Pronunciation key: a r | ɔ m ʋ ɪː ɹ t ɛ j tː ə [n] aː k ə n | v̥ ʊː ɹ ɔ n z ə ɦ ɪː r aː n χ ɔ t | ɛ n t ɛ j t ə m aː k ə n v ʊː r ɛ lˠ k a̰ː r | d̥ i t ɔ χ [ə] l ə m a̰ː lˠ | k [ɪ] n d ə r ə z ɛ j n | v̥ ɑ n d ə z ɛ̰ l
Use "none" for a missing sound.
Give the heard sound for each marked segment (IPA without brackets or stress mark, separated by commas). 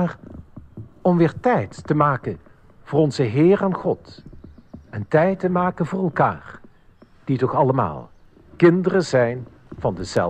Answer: m, ɑ, ɪ